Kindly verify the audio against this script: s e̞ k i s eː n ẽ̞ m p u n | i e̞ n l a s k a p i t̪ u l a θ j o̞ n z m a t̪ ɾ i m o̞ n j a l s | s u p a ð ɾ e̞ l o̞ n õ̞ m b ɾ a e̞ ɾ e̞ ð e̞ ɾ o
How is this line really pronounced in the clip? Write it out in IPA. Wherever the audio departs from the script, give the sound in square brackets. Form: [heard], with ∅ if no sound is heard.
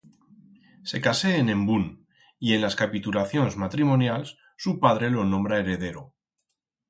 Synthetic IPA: s e̞ k [a] s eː n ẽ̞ m [b] u n | i e̞ n l a s k a p i t̪ u l a θ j o̞ n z m a t̪ ɾ i m o̞ n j a l s | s u p a ð ɾ e̞ l o̞ n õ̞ m b ɾ a e̞ ɾ e̞ ð e̞ ɾ o